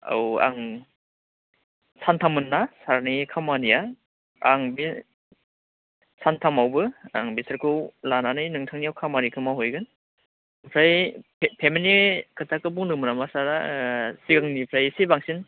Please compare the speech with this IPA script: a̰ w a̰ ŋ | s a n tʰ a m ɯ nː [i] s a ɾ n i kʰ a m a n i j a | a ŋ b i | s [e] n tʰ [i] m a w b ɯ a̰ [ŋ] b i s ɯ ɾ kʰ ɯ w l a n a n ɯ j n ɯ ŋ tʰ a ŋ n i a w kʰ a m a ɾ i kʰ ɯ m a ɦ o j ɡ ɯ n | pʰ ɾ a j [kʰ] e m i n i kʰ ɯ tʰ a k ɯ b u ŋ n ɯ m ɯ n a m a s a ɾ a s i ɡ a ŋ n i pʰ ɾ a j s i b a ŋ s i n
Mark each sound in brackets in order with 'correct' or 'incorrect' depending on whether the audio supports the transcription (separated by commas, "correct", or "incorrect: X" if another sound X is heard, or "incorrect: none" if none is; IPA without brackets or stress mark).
incorrect: a, incorrect: a, incorrect: a, correct, incorrect: pʰ